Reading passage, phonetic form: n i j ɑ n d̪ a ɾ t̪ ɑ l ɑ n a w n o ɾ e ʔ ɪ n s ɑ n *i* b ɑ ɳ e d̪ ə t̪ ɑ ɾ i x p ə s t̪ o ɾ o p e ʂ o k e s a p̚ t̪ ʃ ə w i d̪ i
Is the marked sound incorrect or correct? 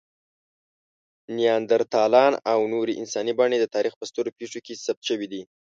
correct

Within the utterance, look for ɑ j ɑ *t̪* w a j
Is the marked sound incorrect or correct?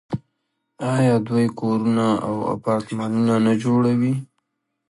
incorrect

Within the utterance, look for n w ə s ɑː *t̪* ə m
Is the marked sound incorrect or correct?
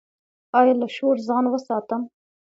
correct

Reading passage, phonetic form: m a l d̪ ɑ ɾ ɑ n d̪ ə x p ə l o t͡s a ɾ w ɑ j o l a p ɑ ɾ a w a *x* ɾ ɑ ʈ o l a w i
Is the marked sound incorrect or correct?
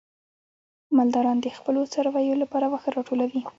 correct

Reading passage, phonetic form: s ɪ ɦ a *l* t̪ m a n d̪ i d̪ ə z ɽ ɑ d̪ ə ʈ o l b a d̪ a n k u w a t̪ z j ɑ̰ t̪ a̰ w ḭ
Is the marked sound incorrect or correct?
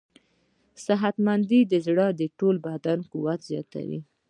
incorrect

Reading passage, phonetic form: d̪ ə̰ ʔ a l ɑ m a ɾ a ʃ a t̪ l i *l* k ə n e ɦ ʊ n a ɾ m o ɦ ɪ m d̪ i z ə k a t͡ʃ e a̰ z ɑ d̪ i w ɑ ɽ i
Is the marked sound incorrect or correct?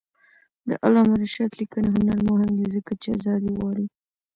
incorrect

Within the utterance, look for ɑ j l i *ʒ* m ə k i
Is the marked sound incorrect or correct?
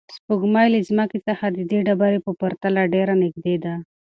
incorrect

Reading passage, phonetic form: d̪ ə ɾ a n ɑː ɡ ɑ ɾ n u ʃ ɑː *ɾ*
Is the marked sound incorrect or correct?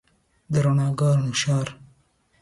correct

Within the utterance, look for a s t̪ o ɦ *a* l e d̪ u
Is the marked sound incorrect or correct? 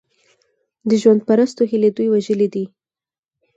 incorrect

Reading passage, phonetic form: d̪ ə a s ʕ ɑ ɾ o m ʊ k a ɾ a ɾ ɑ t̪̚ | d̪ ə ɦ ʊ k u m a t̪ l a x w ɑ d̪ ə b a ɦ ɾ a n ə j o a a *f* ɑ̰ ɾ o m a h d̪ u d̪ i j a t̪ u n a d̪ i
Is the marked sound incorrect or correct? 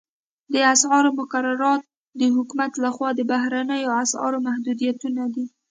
incorrect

